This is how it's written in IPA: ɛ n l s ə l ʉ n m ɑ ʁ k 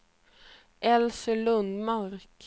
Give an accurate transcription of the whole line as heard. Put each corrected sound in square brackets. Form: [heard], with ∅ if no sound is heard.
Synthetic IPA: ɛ [∅] l s ə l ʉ n m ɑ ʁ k